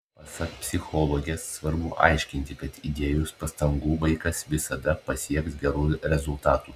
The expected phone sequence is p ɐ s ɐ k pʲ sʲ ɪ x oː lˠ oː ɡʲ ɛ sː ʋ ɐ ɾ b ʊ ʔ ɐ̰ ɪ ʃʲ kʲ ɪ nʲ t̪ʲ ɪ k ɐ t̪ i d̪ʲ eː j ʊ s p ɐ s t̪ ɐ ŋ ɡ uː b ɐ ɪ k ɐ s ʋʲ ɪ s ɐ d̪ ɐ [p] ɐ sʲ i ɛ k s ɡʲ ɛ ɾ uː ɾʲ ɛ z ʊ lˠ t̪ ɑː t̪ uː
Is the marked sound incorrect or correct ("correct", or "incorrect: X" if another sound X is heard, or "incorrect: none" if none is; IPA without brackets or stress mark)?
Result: correct